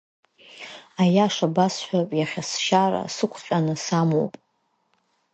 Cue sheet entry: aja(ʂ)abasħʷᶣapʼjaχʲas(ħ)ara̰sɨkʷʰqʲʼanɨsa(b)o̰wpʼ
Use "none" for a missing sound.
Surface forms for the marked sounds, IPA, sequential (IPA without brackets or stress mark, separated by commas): ʂ, ʃ, m